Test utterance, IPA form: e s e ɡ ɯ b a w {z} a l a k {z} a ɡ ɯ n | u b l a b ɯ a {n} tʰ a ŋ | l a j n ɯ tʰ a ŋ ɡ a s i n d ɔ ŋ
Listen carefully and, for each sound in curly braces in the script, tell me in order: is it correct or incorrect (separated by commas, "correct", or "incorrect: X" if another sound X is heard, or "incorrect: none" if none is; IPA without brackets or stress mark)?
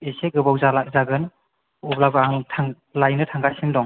correct, correct, incorrect: ŋ